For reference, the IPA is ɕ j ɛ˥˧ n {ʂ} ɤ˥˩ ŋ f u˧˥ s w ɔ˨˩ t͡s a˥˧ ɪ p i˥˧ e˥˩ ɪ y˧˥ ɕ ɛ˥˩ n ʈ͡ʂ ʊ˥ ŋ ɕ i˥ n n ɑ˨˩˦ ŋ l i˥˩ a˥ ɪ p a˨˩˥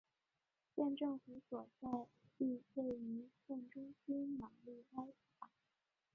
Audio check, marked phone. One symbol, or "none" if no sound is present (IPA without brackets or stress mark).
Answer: ʈ͡ʂ